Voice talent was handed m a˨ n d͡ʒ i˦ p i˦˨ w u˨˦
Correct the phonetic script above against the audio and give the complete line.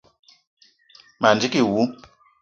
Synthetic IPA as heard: m a˨ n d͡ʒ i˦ k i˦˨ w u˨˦

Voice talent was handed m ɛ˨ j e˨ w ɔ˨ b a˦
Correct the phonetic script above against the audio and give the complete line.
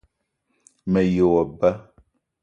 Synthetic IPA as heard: m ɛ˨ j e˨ w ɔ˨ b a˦

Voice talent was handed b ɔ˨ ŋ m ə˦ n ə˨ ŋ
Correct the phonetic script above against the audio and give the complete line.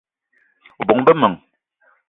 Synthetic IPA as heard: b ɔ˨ ŋ b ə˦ m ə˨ ŋ

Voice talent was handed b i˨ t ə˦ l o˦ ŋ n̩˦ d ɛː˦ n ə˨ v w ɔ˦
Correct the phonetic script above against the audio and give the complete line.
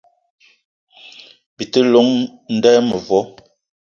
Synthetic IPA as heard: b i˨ t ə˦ l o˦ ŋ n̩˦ d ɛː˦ m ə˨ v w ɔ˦

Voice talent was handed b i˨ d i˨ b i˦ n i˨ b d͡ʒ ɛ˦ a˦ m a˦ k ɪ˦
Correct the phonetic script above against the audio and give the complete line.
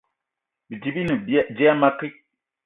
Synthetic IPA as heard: b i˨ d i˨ b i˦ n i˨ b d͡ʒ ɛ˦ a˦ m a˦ k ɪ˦

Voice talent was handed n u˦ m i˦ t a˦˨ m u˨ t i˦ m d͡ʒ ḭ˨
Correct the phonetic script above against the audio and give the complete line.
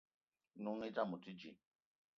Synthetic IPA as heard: n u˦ ŋ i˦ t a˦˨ m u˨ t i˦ d͡ʒ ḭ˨

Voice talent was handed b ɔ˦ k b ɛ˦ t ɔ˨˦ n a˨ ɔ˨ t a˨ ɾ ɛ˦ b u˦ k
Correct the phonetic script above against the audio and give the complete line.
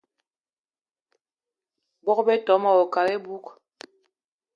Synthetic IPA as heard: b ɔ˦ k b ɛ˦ t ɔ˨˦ m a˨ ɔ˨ k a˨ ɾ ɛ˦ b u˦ k

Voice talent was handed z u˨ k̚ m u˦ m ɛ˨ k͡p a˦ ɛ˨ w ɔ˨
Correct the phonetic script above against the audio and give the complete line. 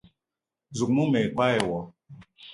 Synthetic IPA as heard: z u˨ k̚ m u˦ m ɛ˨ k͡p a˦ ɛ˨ w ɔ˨

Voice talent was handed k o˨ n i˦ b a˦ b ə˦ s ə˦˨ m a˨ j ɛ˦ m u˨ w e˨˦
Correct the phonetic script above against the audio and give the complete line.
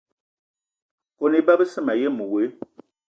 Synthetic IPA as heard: k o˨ n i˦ b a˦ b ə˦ s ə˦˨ m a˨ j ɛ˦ m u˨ w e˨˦

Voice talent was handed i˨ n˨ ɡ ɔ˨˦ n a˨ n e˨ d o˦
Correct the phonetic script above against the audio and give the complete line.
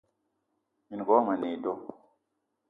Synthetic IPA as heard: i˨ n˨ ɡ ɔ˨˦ m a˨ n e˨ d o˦

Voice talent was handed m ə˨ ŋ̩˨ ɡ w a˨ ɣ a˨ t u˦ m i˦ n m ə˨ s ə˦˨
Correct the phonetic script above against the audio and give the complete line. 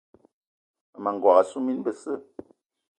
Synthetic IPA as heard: m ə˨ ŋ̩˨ ɡ w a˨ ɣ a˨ s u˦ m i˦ n b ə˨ s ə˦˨

